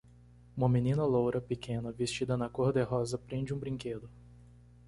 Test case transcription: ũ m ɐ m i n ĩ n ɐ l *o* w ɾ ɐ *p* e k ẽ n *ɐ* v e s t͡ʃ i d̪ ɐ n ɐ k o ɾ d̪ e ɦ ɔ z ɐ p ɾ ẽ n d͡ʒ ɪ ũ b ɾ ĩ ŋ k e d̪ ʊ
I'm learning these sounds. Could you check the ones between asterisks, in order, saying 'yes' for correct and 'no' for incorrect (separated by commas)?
yes, yes, yes